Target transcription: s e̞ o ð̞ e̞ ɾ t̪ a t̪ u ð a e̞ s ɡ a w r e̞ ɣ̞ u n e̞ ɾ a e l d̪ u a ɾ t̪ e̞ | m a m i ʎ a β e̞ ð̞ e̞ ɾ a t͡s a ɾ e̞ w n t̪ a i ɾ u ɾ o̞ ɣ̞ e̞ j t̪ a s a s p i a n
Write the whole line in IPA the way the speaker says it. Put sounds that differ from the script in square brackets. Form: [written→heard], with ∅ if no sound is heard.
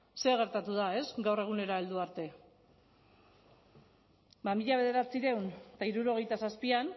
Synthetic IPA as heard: s e̞ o [ð̞→ɣ̞] e̞ ɾ t̪ a t̪ u ð a e̞ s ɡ a w r e̞ ɣ̞ u n e̞ ɾ a e l d̪ u a ɾ t̪ e̞ | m a m i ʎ a β e̞ ð̞ e̞ ɾ a t͡s [a→i] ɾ e̞ w n t̪ a i ɾ u ɾ o̞ ɣ̞ e̞ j t̪ a s a s p i a n